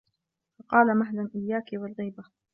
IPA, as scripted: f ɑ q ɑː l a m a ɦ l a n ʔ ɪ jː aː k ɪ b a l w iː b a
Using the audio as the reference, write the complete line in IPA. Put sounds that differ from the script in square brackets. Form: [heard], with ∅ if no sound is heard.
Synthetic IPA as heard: f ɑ q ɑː l a m a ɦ l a n ʔ ɪ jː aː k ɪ [w] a l [ɣ] iː b a